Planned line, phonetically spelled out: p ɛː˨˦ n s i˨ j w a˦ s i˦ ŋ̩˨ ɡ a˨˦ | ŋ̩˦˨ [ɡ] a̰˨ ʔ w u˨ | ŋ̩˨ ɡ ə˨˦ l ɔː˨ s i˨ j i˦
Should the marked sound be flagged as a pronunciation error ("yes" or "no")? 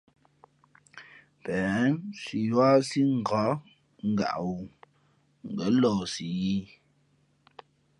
no